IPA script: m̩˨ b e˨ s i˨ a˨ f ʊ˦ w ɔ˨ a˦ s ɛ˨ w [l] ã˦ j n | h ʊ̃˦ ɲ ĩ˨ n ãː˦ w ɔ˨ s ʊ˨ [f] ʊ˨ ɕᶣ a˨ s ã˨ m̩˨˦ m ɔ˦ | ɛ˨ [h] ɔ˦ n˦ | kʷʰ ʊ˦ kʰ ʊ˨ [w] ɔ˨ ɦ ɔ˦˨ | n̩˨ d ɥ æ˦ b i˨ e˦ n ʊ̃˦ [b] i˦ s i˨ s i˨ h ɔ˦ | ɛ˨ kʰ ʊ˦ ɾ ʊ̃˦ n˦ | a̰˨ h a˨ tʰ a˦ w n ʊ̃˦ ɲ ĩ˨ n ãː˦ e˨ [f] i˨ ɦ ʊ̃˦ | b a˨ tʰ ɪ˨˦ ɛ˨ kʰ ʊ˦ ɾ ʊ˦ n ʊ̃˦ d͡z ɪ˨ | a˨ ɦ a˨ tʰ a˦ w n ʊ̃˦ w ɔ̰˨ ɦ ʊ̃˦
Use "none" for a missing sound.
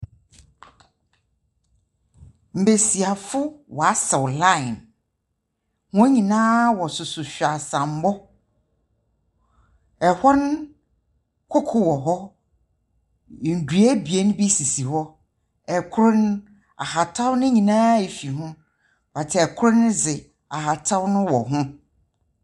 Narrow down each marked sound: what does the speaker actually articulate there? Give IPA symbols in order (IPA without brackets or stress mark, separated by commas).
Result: l, s, h, w, b, f